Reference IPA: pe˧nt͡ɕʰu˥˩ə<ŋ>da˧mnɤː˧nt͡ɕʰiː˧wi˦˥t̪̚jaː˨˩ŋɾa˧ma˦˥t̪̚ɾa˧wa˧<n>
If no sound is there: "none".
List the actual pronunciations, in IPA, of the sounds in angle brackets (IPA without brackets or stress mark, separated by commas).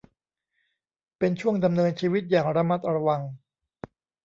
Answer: ŋ, ŋ